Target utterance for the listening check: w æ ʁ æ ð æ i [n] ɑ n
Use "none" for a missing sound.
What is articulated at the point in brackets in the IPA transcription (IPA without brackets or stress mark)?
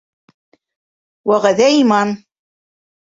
m